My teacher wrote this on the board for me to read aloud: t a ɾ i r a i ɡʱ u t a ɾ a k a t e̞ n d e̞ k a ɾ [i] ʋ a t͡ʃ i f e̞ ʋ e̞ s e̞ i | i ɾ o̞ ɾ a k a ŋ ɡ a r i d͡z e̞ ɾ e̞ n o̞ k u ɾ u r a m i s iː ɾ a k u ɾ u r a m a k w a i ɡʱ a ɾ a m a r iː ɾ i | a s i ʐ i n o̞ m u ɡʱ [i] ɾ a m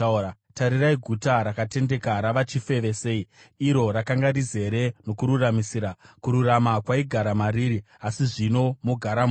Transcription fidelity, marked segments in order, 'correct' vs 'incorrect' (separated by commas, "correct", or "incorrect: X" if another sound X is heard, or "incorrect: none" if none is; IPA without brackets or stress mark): incorrect: a, incorrect: a